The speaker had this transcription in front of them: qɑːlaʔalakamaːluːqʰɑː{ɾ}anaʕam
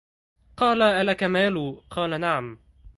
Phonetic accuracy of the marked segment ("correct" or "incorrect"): incorrect